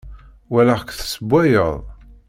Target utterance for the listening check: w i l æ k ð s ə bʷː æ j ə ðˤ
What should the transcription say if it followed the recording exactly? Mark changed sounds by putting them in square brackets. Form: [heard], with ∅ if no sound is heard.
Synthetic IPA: w [æ] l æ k [θ] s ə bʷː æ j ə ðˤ